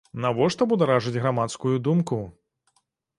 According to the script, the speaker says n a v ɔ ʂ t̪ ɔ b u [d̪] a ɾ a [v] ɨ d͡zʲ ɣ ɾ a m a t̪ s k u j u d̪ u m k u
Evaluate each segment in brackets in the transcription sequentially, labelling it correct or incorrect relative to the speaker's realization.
correct, incorrect: ʐ

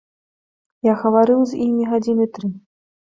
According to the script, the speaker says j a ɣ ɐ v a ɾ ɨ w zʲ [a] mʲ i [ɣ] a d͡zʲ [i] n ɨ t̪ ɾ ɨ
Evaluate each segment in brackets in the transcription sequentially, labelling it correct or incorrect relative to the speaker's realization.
incorrect: i, correct, correct

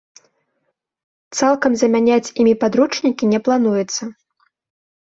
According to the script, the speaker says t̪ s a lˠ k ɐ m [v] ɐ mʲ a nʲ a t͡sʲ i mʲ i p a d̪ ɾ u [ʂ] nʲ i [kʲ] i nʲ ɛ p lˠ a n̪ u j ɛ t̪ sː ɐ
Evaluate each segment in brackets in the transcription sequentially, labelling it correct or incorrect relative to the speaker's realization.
incorrect: z, incorrect: t͡ʂ, correct

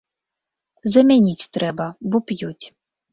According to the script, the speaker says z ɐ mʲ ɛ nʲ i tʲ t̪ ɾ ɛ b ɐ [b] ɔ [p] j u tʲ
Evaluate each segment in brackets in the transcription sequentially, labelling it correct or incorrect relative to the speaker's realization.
correct, correct

